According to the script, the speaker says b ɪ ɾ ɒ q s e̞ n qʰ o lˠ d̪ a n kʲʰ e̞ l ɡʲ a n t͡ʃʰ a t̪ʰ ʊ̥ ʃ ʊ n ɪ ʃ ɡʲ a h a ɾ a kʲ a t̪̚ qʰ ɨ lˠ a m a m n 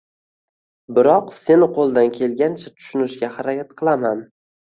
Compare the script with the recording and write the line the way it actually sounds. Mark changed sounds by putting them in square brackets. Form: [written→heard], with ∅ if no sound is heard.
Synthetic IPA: b ɪ ɾ ɒ q s e̞ n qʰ o lˠ d̪ a n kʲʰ e̞ l ɡʲ a n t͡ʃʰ a t̪ʰ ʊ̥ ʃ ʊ n ɪ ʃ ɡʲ a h a ɾ a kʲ a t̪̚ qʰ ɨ lˠ a m a [m→∅] n